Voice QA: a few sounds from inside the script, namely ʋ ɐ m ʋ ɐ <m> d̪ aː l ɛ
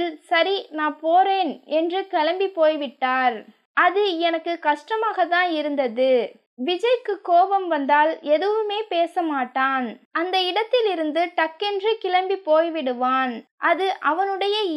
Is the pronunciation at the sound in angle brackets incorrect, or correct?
incorrect